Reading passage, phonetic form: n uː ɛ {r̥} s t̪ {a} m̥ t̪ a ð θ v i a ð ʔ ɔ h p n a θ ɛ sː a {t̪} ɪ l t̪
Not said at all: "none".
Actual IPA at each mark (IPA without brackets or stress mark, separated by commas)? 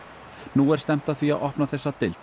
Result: ɾ̥, ɛ, t̪